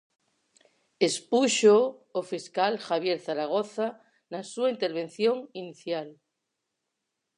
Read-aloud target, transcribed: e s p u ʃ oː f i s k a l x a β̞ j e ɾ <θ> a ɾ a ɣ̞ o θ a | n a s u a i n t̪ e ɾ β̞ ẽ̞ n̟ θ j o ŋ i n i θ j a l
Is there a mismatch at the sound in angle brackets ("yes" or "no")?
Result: no